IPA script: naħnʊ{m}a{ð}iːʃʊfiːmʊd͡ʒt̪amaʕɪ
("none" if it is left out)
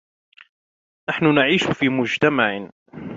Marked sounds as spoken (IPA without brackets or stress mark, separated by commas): n, ʕ